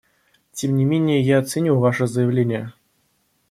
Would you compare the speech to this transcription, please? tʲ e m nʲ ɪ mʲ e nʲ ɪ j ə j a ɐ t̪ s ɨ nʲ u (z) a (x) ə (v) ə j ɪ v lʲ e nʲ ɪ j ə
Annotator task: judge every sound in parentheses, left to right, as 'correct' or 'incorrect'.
incorrect: v, incorrect: ʂ, incorrect: z

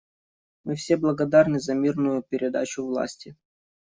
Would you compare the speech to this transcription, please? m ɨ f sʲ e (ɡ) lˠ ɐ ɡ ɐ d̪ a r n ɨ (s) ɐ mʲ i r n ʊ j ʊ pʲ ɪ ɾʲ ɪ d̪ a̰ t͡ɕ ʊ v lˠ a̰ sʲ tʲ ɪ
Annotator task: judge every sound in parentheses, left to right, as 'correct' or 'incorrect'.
incorrect: b, incorrect: z

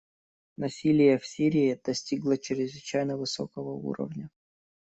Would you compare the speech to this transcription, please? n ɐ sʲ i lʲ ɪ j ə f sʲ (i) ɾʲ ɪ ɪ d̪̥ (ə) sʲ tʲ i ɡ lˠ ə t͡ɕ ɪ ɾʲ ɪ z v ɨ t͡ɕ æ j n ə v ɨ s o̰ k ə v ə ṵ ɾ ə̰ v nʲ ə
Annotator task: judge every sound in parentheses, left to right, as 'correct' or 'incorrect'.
correct, incorrect: ɐ

